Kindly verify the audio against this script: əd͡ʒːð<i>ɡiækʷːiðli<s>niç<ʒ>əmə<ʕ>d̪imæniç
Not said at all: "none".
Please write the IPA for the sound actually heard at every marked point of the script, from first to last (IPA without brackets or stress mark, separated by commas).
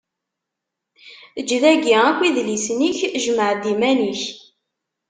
æ, s, ʒ, ʕ